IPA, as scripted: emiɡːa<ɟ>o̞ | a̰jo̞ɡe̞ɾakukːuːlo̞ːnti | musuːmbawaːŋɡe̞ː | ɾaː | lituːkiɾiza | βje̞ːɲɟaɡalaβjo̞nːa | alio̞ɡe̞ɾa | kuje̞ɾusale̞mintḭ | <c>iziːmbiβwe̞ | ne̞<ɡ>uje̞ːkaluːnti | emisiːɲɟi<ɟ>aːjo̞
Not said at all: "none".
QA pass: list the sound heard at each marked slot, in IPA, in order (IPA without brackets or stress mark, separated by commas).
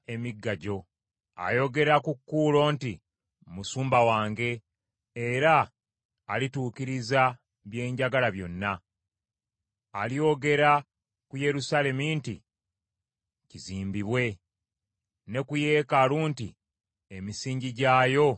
ɟ, c, k, ɟ